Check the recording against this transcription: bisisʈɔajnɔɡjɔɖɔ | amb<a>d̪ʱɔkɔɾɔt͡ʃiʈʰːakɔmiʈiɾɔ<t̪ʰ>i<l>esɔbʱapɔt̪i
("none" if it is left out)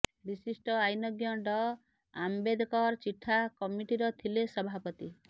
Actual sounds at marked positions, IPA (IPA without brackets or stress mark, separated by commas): e, t̪ʰ, l